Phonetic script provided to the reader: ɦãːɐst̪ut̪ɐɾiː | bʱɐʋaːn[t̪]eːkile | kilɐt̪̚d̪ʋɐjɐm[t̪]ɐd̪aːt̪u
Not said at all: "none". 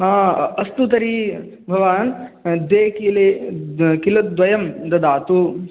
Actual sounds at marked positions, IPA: d̪, d̪

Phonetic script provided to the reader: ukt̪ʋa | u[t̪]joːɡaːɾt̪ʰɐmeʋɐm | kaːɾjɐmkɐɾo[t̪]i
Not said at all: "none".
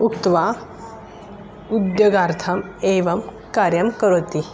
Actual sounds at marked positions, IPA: d̪, t̪

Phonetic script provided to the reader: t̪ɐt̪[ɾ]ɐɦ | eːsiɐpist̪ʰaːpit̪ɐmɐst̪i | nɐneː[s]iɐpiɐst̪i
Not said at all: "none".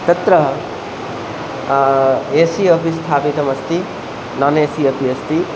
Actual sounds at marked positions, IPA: ɾ, s

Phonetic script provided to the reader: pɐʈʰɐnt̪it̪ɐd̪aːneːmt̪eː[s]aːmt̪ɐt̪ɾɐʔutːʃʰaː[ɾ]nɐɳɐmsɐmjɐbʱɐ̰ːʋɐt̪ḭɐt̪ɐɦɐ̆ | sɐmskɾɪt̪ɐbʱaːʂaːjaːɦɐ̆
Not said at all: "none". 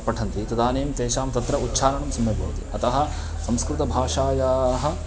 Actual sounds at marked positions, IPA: ʃ, none

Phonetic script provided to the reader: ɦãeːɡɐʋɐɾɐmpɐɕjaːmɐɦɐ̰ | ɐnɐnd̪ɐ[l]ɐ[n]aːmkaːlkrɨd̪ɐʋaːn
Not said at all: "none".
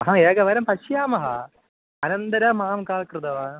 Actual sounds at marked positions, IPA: ɾ, m

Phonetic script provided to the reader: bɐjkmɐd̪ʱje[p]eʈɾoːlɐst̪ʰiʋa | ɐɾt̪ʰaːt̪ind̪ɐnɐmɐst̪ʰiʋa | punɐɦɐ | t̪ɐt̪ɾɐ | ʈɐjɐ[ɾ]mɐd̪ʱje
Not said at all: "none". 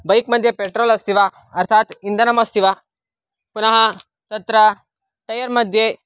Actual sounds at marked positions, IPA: p, ɾ

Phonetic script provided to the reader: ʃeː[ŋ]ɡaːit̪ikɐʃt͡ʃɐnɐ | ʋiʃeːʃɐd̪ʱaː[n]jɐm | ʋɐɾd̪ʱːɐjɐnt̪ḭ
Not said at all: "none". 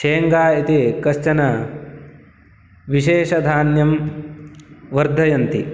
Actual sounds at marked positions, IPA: ŋ, n

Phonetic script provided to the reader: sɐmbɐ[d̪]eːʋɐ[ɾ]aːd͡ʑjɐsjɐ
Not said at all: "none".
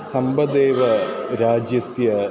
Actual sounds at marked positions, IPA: d̪, ɾ

